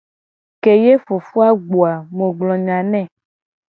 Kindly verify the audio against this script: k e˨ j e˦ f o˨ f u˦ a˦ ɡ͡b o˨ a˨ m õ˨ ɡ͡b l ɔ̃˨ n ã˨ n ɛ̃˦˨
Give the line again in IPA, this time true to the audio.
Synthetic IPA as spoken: k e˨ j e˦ f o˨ f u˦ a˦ ɡ͡b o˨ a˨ m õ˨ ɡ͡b l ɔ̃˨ ɲ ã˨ n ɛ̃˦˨